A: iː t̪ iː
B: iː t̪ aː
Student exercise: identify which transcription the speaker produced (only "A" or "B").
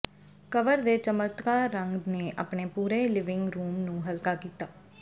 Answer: B